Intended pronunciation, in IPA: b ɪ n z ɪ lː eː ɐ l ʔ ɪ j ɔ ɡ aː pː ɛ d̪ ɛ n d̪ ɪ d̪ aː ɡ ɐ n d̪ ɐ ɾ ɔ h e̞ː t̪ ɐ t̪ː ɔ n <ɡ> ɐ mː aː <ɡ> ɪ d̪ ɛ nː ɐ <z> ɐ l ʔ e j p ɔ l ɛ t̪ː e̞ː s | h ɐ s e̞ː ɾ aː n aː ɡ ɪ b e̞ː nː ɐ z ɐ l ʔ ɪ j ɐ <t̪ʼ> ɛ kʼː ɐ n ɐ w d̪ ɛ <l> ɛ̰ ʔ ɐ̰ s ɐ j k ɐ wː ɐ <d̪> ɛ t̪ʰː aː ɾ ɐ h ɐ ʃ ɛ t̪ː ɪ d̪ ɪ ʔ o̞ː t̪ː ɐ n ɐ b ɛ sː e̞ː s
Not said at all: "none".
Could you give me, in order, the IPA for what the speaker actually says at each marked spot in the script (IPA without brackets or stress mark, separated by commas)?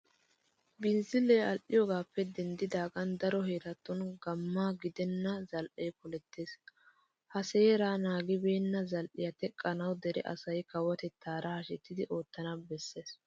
ɡ, ɡ, z, t̪, ɾ, t̪